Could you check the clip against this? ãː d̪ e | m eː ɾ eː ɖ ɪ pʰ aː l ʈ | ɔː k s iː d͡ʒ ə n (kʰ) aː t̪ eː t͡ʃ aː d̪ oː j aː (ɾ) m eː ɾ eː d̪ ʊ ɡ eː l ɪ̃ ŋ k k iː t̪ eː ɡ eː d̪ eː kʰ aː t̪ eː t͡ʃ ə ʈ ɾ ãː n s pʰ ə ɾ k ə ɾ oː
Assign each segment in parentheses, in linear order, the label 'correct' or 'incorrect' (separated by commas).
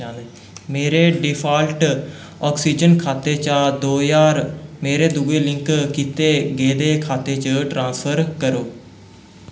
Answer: correct, correct